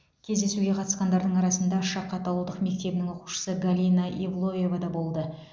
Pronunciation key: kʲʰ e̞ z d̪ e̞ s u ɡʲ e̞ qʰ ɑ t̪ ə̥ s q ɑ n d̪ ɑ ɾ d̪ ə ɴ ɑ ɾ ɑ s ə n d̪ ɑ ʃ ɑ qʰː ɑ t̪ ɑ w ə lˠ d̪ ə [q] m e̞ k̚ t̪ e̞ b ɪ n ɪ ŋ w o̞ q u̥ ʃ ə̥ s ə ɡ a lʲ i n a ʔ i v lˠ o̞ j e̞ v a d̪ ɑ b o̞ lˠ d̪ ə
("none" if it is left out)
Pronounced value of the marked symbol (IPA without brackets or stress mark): q